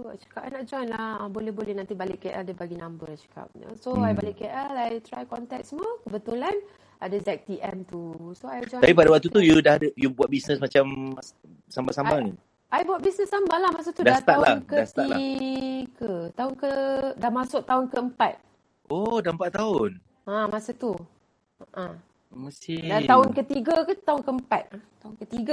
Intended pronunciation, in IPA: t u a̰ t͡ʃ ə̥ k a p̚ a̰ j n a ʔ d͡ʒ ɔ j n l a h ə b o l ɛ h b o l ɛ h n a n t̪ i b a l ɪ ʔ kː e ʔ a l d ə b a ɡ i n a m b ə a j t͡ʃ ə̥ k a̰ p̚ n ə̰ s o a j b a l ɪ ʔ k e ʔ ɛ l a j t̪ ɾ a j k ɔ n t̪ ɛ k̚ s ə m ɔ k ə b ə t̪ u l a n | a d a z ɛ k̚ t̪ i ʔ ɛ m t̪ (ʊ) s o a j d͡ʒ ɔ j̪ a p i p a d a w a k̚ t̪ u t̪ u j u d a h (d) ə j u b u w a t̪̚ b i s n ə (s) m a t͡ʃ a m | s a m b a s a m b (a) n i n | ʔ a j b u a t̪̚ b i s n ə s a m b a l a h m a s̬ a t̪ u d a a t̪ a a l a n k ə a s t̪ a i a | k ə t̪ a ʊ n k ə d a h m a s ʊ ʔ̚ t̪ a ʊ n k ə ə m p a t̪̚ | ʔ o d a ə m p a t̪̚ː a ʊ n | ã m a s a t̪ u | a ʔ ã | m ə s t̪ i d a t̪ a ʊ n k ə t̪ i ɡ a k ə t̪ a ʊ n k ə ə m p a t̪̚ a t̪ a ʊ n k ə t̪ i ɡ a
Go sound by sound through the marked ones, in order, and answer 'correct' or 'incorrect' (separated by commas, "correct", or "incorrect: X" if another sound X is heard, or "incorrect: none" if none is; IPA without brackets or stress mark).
incorrect: u, correct, correct, correct